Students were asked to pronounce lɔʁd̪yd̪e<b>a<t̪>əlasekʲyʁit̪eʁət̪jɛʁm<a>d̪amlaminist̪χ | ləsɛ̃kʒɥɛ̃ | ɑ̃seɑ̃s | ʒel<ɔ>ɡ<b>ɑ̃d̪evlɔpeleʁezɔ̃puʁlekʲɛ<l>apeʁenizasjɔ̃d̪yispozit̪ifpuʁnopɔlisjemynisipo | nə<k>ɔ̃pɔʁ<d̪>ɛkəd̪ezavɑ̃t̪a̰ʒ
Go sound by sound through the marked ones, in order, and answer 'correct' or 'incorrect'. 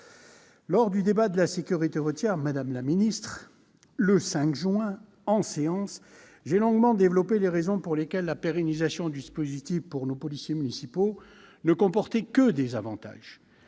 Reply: correct, incorrect: d̪, correct, incorrect: ɔ̃, incorrect: m, incorrect: lː, correct, incorrect: t̪

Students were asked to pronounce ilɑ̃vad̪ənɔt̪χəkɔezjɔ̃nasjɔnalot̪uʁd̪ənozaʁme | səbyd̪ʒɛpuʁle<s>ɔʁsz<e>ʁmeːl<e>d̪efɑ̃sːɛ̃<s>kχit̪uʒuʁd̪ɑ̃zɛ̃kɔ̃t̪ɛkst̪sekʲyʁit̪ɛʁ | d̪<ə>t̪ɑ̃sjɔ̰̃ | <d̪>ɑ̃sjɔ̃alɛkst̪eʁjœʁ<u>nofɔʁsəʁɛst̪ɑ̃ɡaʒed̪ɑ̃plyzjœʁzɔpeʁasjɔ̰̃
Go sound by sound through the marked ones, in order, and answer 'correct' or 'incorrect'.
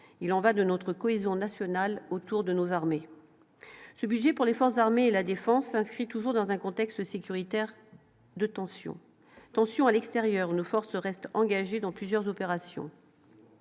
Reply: incorrect: f, incorrect: a, incorrect: a, correct, correct, incorrect: t̪, correct

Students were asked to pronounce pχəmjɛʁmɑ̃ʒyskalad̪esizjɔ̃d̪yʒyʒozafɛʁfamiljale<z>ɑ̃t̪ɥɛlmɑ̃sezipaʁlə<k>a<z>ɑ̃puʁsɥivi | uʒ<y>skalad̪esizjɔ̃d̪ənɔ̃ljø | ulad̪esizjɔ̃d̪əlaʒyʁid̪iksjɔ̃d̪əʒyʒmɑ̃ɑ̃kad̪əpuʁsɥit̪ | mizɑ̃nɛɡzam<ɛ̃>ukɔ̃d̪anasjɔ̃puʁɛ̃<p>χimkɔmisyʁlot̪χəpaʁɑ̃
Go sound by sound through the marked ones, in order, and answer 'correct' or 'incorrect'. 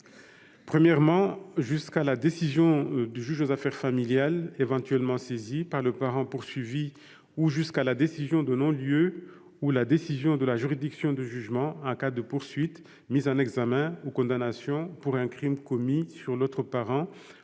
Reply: incorrect: v, incorrect: p, incorrect: ʁ, correct, correct, incorrect: k

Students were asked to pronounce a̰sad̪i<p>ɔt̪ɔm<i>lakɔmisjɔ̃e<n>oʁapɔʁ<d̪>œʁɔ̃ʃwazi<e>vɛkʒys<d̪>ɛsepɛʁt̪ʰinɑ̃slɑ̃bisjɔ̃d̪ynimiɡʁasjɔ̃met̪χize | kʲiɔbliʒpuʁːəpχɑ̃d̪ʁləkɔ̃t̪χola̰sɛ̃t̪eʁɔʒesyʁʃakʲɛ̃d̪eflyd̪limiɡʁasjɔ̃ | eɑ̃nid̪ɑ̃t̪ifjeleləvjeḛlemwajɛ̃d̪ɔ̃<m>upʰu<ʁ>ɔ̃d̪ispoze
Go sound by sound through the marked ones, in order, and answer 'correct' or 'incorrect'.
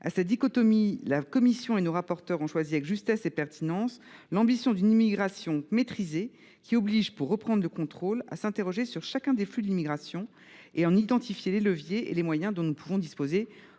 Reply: incorrect: k, correct, correct, incorrect: t̪, incorrect: a, incorrect: t̪, incorrect: n, incorrect: v

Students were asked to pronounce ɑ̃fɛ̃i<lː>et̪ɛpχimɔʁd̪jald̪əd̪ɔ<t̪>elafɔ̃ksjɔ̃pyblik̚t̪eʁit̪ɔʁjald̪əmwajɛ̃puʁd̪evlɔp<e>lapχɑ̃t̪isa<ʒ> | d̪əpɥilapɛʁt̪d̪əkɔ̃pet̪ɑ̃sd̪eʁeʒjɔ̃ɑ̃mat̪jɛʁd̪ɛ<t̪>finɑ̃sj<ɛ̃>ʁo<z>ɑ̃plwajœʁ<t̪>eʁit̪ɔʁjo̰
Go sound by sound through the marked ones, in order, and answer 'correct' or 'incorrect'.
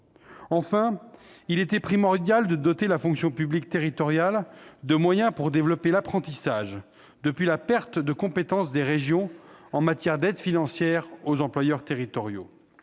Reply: incorrect: l, correct, correct, correct, incorrect: d̪, incorrect: ɛ, correct, correct

